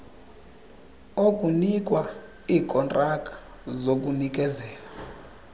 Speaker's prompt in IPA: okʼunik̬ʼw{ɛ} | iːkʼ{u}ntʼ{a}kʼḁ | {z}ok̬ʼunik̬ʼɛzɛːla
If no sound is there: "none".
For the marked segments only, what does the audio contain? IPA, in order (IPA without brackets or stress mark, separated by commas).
a, ɔ, a, z